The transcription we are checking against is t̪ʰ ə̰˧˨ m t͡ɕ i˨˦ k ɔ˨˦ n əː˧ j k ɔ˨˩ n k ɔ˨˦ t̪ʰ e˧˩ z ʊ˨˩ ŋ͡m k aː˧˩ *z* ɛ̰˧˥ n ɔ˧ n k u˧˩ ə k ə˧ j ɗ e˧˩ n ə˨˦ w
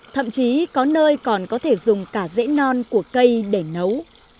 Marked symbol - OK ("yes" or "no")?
yes